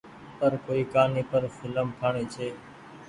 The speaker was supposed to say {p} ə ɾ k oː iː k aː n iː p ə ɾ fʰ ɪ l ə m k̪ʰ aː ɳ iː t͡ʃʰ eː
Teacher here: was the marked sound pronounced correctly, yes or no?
yes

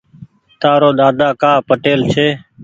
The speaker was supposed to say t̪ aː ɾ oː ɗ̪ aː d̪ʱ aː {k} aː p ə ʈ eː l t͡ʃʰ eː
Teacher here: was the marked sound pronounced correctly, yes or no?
yes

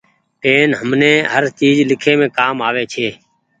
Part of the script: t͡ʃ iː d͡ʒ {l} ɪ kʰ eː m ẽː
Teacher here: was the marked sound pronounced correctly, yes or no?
yes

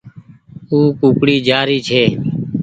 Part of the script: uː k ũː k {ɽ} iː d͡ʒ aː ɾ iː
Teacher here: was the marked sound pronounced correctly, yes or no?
yes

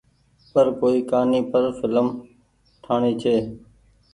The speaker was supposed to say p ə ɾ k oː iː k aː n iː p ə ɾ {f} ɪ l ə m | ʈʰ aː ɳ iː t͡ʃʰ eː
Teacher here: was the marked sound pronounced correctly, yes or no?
yes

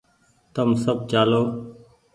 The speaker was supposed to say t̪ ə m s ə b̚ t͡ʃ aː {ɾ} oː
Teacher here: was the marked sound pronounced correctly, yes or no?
no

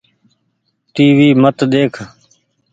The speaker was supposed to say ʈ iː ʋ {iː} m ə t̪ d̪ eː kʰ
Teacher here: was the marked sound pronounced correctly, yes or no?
yes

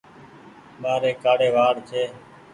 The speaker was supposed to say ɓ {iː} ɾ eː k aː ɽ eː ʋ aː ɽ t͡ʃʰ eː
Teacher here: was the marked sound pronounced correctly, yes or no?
no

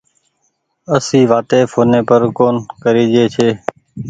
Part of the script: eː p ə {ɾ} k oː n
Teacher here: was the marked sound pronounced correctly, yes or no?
yes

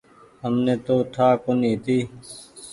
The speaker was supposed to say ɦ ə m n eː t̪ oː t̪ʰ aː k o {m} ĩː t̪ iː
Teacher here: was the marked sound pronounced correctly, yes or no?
no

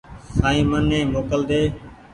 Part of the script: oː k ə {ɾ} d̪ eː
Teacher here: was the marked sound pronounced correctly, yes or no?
no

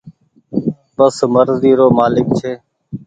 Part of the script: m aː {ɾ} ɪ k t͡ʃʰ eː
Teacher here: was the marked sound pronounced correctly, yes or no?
no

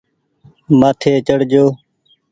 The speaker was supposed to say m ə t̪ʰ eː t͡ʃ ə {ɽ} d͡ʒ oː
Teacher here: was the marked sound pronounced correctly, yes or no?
yes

